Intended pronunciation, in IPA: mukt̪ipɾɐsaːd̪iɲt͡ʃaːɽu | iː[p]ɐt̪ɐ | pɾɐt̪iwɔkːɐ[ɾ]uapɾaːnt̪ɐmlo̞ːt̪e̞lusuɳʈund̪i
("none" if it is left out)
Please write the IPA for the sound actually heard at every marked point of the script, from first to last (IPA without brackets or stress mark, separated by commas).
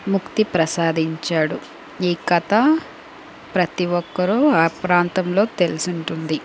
k, ɾ